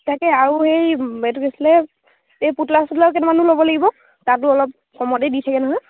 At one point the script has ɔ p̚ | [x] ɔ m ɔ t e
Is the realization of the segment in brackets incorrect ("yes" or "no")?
yes